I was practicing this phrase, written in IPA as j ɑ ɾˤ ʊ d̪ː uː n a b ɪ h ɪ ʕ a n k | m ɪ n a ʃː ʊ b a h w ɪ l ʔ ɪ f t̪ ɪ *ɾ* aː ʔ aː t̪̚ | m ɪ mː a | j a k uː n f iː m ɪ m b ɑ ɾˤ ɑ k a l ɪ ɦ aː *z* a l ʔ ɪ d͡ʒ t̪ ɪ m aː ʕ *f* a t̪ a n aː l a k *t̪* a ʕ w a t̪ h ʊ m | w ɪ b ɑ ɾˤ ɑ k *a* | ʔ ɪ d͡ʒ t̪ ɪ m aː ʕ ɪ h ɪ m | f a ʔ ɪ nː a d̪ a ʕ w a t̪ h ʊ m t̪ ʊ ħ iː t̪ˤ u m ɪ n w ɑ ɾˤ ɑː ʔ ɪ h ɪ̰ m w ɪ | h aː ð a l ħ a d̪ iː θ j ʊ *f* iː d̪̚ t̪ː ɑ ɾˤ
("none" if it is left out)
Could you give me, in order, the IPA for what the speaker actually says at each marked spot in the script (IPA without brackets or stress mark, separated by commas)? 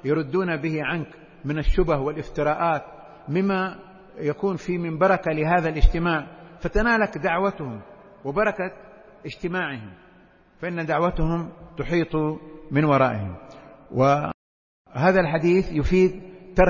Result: ɾ, ð, f, d̪, a, f